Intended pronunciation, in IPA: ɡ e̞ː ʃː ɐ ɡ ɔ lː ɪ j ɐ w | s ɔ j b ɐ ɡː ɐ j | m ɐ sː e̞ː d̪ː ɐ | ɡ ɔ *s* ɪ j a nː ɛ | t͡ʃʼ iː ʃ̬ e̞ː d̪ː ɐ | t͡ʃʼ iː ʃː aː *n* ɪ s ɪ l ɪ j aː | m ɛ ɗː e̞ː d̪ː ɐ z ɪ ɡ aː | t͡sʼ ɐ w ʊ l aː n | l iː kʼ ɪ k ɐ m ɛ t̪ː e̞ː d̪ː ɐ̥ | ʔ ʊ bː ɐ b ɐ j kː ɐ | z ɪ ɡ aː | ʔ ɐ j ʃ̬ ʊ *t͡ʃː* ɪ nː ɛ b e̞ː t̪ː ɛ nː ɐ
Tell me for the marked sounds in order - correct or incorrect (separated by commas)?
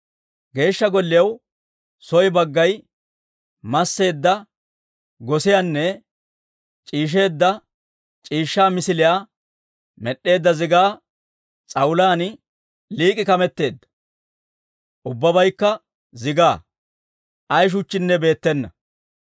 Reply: correct, incorrect, correct